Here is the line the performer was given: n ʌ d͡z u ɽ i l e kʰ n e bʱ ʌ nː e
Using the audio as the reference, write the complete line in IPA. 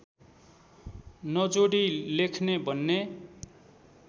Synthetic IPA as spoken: n ʌ d͡z o ɽ i l e kʰ n e bʱ ʌ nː e